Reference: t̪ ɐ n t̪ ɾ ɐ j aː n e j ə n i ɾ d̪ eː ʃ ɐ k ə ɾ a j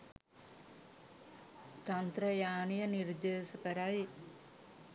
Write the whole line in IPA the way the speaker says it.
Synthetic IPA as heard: t̪ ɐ n t̪ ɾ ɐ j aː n i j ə n i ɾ d̪ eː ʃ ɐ k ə ɾ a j